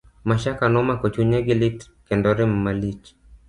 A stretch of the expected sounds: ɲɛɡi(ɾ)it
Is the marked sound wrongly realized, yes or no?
yes